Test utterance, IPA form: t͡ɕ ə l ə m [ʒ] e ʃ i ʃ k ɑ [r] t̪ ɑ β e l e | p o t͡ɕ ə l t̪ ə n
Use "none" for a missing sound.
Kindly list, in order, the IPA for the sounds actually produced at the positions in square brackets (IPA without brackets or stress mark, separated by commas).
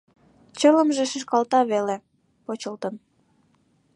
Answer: ʒ, l